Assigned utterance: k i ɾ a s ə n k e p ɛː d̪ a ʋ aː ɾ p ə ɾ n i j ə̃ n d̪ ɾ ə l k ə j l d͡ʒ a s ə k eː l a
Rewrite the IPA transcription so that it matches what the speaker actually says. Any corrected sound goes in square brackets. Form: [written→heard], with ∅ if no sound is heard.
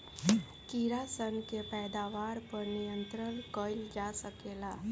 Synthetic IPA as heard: k i ɾ a s ə n k e p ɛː d̪ a ʋ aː ɾ p ə ɾ n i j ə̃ n [d̪→t̪] ɾ ə l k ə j l d͡ʒ a s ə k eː l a